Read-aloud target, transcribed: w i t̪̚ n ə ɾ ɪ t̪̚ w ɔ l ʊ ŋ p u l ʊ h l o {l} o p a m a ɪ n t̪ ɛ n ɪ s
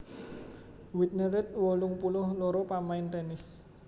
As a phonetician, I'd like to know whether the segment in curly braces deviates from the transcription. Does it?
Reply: yes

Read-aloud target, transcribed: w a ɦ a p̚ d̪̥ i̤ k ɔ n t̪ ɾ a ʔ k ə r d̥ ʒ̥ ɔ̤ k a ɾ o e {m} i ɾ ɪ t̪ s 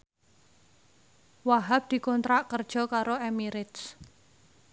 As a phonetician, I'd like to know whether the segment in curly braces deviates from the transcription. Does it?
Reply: no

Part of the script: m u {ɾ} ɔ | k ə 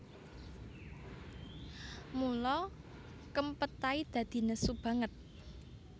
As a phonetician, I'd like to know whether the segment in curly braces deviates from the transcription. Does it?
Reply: yes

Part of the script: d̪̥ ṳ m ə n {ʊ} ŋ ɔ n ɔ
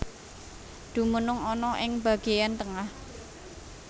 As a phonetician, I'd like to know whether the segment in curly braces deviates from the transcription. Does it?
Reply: no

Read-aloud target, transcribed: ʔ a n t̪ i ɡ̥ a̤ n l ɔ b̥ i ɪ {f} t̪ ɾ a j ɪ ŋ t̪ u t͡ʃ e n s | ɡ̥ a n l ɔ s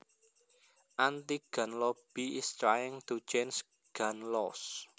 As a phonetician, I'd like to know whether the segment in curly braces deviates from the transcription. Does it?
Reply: yes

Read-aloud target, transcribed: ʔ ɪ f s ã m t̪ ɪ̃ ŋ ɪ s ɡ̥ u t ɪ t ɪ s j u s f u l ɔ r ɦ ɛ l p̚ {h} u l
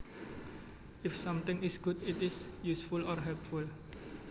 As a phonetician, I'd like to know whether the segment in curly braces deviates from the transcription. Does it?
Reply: yes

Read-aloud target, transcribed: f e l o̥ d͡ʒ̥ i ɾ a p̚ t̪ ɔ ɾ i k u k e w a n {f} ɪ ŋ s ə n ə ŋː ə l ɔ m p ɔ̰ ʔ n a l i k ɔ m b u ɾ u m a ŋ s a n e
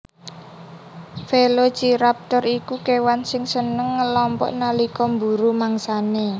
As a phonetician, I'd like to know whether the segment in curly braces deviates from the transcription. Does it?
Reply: yes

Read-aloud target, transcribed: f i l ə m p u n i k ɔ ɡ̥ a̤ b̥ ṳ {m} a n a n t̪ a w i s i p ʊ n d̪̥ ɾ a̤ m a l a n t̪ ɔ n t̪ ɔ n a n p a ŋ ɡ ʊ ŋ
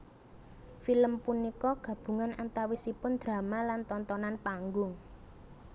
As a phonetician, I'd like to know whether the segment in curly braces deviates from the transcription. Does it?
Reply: yes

